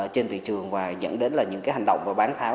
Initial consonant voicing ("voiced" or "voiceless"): voiceless